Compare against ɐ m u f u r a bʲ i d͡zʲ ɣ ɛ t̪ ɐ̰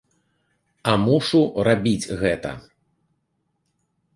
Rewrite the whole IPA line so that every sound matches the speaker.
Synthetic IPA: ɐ m u ʂ u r a bʲ i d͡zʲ ɣ ɛ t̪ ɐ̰